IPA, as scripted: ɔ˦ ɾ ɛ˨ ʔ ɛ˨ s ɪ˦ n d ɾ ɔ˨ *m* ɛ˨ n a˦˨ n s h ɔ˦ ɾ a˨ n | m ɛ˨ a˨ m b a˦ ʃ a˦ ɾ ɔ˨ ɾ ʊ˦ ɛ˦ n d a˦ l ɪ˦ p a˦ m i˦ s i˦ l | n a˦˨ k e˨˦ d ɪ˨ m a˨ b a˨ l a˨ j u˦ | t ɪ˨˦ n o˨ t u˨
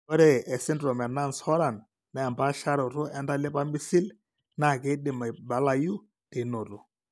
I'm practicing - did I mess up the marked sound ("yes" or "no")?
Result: no